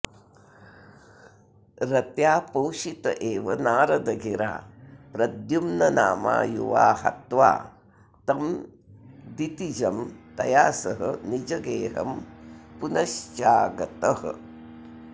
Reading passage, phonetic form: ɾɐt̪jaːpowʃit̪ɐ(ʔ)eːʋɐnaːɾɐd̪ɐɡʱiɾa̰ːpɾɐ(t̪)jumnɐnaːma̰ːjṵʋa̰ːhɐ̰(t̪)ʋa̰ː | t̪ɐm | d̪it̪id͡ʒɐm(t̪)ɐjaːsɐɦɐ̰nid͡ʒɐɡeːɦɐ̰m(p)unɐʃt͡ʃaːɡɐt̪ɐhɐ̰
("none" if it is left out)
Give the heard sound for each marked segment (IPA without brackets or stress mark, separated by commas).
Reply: ʔ, d̪, t̪, t̪, p